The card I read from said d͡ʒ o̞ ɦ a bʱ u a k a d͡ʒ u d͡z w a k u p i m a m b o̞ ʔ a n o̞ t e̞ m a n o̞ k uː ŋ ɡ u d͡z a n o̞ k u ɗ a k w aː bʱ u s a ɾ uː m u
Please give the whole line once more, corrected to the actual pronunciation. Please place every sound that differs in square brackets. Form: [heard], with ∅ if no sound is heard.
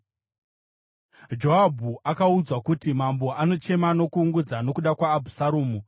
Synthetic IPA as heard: d͡ʒ o̞ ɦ a bʱ u a k a [∅] u d͡z w a k u [t] i m a m b o̞ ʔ a n o̞ [t͡ʃ] e̞ m a n o̞ k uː ŋ ɡ u d͡z a n o̞ k u ɗ a k w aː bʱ u s a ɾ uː m u